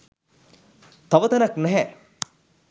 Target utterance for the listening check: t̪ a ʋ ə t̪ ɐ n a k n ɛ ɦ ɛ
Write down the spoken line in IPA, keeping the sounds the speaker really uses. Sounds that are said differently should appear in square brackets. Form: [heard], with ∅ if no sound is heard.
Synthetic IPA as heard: t̪ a ʋ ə t̪ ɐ n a k n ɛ ɦ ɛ